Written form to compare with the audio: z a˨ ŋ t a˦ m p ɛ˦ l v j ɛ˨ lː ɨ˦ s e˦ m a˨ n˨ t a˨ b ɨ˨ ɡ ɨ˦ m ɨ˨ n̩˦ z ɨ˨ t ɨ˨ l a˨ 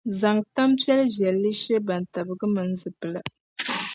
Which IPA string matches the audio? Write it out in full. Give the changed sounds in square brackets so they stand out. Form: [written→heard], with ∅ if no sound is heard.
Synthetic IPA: z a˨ ŋ t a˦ m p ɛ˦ l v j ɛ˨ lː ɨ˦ [s→ʃ] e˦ [m→b] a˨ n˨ t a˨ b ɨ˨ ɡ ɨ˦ m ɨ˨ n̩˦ z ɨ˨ [t→p] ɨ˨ l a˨